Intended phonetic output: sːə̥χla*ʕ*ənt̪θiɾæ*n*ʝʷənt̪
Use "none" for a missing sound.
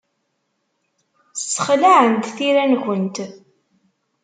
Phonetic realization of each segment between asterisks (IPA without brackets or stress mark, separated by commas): ʕ, n